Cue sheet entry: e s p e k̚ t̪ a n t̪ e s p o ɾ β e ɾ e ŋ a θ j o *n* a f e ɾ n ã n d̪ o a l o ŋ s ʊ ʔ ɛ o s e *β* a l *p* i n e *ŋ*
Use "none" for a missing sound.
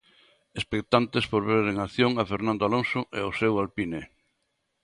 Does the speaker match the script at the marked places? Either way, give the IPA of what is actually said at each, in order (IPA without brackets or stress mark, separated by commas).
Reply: ŋ, w, p, none